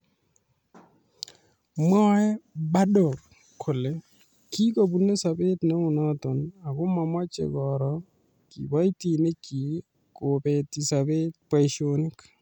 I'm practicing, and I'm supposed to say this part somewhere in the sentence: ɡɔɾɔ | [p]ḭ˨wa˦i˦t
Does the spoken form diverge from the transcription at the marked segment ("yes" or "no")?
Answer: yes